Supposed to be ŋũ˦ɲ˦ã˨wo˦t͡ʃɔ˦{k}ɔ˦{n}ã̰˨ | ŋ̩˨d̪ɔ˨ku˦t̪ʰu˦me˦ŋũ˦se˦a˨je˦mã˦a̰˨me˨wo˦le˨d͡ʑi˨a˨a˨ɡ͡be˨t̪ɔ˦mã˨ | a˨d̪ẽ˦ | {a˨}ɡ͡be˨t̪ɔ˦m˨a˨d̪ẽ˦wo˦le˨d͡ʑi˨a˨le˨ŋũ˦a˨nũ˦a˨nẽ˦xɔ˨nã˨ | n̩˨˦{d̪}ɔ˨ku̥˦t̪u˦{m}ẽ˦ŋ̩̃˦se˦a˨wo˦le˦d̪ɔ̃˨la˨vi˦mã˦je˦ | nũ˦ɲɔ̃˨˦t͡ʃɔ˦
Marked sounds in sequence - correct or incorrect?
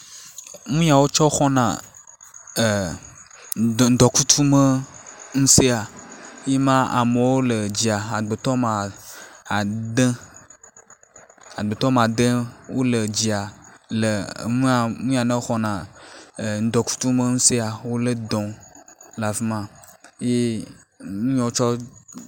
incorrect, correct, correct, correct, correct

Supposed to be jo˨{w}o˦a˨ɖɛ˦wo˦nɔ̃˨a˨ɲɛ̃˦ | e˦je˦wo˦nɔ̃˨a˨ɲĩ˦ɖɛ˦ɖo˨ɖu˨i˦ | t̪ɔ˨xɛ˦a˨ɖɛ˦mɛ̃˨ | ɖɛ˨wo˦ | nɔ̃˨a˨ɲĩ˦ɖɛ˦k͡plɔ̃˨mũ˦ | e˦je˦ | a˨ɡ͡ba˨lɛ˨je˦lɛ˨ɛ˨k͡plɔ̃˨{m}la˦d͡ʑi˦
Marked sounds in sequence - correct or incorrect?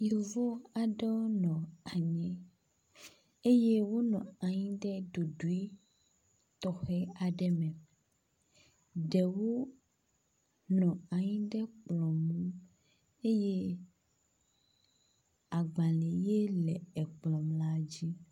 incorrect, correct

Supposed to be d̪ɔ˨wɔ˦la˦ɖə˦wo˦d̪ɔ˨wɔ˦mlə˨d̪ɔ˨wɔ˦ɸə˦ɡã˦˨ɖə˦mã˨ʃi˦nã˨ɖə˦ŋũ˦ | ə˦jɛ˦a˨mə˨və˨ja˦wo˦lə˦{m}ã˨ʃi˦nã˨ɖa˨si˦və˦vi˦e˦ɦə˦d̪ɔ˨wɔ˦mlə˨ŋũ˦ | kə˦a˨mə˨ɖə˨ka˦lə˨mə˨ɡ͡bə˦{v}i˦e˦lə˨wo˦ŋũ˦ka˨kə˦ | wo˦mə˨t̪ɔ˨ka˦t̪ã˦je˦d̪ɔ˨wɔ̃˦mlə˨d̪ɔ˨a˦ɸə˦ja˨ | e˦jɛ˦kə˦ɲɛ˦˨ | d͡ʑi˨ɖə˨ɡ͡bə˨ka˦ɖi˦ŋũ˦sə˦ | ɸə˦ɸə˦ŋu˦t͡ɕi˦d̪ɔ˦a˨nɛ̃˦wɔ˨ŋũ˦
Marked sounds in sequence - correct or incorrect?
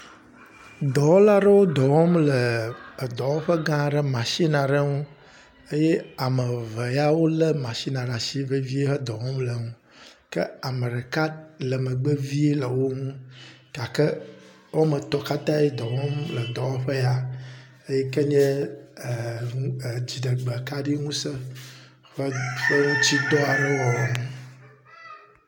correct, correct

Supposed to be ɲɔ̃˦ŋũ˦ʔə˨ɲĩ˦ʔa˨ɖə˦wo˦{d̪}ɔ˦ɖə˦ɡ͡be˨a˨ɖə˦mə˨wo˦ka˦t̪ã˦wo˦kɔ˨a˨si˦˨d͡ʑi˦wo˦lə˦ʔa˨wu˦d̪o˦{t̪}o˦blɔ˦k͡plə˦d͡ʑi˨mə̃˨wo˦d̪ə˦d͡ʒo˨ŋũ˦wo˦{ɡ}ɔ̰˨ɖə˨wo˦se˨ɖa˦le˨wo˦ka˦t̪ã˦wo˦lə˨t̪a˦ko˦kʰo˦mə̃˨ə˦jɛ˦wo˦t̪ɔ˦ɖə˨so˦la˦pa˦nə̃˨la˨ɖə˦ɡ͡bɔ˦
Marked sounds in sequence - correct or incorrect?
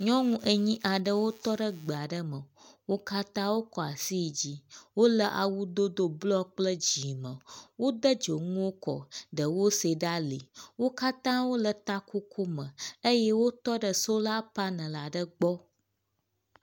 incorrect, incorrect, incorrect

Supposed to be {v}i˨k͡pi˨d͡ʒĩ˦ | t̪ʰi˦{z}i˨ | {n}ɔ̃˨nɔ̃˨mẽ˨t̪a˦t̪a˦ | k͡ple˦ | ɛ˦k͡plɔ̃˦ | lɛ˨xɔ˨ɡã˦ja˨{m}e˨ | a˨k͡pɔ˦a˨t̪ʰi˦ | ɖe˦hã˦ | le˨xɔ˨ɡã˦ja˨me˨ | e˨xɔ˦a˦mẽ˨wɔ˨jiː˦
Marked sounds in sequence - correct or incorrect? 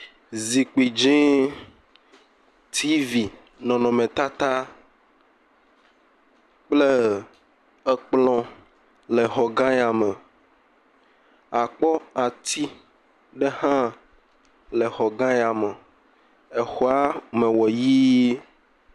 incorrect, incorrect, correct, correct

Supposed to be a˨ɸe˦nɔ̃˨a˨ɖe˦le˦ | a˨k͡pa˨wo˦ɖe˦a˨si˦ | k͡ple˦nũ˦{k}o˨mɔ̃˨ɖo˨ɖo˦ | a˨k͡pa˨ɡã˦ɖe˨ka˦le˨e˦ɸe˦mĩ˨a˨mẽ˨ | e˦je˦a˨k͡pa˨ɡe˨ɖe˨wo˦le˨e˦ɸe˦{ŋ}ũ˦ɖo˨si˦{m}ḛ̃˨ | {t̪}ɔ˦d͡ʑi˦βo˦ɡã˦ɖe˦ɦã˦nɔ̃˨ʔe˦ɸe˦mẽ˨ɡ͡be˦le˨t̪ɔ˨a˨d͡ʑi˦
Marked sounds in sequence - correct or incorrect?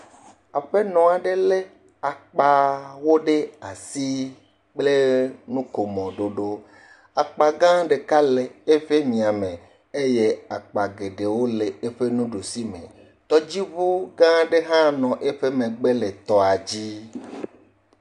correct, incorrect, correct, correct

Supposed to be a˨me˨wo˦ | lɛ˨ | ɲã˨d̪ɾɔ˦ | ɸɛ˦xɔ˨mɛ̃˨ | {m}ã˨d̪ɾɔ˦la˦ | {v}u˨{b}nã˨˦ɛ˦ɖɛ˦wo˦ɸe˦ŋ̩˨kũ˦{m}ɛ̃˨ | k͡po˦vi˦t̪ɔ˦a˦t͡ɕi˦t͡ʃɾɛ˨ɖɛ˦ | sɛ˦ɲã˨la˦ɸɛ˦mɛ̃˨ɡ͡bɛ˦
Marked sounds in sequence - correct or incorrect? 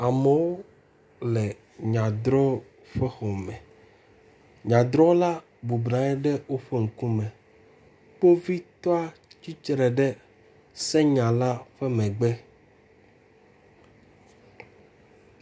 incorrect, incorrect, correct, correct

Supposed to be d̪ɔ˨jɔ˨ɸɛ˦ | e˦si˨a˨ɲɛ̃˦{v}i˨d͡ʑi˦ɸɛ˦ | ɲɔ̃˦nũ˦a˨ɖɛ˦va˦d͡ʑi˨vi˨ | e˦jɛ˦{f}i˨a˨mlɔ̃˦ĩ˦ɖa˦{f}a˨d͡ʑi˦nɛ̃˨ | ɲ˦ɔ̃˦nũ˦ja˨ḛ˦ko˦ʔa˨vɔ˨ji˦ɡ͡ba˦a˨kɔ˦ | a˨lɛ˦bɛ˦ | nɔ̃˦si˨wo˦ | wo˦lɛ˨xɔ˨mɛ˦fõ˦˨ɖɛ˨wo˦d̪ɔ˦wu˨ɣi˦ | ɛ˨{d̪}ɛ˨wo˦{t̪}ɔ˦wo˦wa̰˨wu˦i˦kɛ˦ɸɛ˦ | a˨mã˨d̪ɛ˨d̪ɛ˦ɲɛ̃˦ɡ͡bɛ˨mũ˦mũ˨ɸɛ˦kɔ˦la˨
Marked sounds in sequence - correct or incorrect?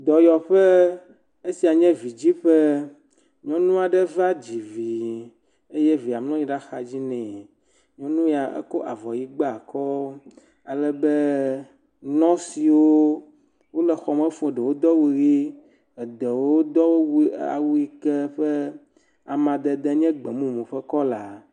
correct, incorrect, incorrect, correct, incorrect

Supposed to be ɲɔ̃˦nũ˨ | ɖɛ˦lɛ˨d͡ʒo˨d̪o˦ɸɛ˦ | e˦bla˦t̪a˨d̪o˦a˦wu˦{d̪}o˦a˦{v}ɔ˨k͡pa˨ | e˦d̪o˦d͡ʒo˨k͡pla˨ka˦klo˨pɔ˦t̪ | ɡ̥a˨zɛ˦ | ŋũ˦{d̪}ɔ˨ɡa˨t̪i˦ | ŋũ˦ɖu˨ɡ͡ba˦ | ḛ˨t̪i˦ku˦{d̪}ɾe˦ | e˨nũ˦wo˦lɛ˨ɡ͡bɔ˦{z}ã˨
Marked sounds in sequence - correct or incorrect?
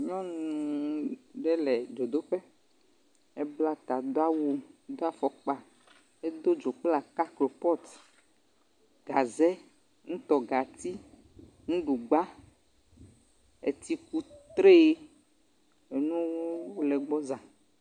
correct, incorrect, incorrect, incorrect, correct

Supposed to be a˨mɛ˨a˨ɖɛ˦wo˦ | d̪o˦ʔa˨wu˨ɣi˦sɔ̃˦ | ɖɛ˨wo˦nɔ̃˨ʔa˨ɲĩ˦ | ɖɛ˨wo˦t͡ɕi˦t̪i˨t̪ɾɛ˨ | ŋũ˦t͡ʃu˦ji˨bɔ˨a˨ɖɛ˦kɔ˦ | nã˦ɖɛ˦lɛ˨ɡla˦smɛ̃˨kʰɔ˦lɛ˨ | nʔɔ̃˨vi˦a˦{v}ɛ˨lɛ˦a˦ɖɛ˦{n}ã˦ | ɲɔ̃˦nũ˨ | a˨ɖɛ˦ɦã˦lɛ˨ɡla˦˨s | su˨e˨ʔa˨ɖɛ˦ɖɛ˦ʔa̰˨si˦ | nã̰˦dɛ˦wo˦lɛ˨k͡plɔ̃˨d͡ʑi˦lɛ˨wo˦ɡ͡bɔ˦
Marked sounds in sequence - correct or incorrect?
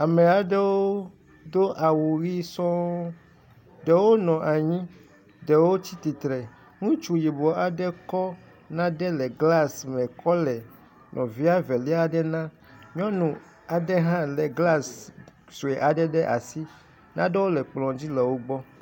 correct, correct

